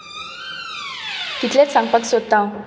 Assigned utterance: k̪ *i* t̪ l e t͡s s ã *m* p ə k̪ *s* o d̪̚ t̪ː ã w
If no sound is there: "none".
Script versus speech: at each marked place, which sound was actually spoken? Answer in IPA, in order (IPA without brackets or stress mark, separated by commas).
i, ŋ, s